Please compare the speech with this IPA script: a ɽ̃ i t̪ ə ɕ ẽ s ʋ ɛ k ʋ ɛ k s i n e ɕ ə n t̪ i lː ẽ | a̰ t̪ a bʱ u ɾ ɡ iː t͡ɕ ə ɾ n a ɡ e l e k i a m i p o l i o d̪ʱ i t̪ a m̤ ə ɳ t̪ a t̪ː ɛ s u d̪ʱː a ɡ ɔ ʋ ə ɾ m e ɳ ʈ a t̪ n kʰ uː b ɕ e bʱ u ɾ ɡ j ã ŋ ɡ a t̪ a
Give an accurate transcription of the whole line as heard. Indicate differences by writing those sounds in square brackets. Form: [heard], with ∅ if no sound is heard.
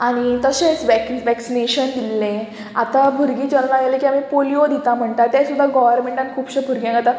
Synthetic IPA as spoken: a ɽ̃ i t̪ ə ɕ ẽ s ʋ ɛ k ʋ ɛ k s i n e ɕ ə n [d̪] i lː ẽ | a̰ t̪ a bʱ u ɾ ɡ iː t͡ɕ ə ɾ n a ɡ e l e k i a m i p o l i o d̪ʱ i t̪ a m̤ ə ɳ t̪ a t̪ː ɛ s u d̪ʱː a ɡ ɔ ʋ ə ɾ m e ɳ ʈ a [∅] n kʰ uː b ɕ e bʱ u ɾ ɡ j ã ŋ ɡ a t̪ a